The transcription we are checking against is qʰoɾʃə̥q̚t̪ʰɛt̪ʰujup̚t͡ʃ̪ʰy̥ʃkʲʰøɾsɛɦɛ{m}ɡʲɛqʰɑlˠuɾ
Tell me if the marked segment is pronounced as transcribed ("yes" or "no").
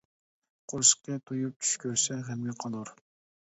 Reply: yes